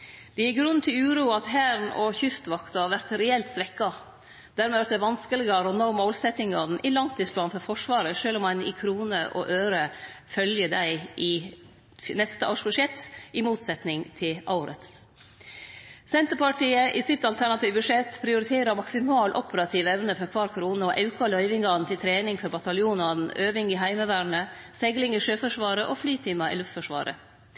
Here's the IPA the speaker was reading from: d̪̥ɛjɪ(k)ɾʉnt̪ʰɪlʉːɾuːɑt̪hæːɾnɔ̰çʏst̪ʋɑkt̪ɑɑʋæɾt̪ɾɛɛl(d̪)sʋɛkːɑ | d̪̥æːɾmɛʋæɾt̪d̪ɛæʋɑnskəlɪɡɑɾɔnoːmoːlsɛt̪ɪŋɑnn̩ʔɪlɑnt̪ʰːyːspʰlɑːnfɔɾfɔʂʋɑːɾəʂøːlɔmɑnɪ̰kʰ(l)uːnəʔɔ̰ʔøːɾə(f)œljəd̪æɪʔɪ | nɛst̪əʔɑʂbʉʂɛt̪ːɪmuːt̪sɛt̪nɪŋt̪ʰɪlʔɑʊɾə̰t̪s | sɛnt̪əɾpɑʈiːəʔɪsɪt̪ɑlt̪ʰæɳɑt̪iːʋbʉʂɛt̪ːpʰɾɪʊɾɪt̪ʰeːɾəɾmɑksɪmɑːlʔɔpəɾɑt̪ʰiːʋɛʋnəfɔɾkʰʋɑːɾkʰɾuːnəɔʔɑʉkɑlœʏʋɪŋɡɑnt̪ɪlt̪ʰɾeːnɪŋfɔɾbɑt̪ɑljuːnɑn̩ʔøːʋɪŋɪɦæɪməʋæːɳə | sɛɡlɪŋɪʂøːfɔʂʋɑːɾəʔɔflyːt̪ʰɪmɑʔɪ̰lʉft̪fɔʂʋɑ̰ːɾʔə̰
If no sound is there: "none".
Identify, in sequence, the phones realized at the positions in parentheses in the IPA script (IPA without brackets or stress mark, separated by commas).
ɡ, t̪, ɾ, f